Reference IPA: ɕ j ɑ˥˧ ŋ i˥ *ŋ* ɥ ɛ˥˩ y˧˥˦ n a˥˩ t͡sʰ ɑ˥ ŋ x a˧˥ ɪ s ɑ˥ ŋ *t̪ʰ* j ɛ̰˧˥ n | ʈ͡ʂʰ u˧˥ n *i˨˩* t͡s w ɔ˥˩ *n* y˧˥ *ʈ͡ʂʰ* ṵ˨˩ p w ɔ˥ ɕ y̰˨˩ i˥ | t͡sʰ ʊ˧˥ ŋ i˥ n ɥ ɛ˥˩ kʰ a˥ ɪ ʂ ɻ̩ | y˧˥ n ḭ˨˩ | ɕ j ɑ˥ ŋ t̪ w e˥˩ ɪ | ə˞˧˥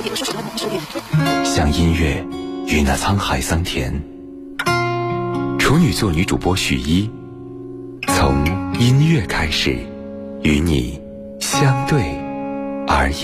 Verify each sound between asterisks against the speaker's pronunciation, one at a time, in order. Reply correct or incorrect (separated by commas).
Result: incorrect, correct, incorrect, correct, incorrect